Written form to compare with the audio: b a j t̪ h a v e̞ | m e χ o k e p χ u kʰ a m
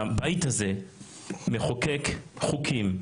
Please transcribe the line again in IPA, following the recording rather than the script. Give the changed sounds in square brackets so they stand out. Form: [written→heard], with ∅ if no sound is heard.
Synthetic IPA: b a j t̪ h a [v→z] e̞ | m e χ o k e [p→k] χ u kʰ [a→i] m